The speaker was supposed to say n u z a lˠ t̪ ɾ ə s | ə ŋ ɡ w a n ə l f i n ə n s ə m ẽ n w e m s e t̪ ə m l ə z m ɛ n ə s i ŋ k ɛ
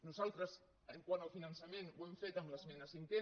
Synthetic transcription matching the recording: n u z a lˠ t̪ ɾ ə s | ə ŋ k w a n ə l f i n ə n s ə m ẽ n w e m f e t̪ ə m l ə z m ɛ n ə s i ŋ k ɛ